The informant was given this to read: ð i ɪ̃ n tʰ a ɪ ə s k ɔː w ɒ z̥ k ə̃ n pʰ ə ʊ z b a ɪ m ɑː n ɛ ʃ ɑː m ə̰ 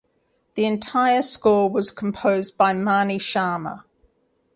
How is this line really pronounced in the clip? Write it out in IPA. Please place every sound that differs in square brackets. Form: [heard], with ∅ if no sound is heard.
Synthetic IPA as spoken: ð i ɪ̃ n tʰ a ɪ ə s k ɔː w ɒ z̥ [kʰ] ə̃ [m] pʰ ə ʊ z b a ɪ m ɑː n [i] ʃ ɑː m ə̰